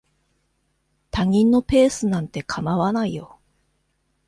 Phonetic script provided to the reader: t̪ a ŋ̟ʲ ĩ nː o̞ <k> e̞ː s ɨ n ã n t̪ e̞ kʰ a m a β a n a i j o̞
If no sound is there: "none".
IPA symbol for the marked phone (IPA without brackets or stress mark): p